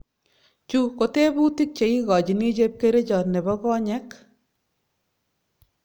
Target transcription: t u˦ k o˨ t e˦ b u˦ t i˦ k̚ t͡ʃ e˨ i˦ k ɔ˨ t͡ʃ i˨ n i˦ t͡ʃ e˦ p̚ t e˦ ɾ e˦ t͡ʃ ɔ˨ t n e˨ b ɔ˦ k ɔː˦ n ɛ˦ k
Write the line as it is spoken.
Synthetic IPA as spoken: t͡ʃ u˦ k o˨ t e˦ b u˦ t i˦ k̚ t͡ʃ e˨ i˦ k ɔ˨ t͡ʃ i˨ n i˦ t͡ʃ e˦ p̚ k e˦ ɾ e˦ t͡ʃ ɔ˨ t n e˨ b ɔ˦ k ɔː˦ ɲ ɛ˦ k